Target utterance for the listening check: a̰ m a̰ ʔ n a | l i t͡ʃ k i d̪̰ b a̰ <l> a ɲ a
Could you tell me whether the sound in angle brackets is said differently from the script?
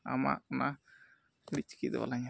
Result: no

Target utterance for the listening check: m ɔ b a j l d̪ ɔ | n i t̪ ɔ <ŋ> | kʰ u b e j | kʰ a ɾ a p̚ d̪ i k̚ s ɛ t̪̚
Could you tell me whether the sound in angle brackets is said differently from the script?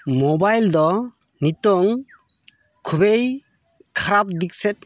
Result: no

